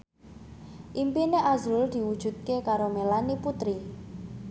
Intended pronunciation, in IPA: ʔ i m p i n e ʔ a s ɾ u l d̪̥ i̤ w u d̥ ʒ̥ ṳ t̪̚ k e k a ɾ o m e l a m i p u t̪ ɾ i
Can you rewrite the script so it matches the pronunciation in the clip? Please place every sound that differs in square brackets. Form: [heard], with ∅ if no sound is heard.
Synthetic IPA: ʔ i m p i n e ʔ a [z] ɾ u l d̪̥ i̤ w u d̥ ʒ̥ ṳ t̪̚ k e k a ɾ o m e l a [n] i p u t̪ ɾ i